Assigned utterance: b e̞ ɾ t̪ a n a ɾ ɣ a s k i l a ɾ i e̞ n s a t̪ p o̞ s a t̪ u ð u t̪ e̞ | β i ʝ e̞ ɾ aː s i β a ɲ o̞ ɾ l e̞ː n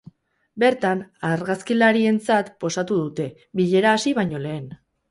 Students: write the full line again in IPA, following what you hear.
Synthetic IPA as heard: b e̞ ɾ t̪ a n a ɾ ɣ a s k i l a ɾ i e̞ n t͡s a t̪ p o̞ s a t̪ u ð u t̪ e̞ | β i ʎ e̞ ɾ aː s i β a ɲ o̞ l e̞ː n